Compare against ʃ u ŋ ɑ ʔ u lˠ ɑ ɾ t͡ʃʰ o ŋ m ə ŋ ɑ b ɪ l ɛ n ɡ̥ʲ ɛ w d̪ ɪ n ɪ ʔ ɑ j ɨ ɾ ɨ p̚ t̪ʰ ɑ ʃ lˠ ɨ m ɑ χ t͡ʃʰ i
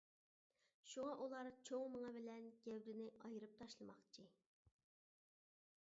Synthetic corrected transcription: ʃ u ŋ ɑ ʔ u lˠ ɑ ɾ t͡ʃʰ o ŋ m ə ŋ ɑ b ɪ l ɛ n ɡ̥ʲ ɛ w d̪ ɪ n ɪ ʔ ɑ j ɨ ɾ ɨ p̚ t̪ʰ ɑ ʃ lˠ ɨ m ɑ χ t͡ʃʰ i